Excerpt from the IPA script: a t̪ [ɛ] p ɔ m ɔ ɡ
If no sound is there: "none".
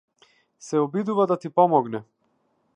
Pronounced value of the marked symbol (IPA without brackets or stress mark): i